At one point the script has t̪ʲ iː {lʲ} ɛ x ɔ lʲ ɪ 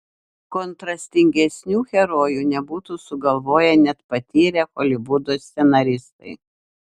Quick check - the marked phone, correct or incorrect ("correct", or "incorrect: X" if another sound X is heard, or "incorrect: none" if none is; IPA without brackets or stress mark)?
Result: incorrect: ɾʲ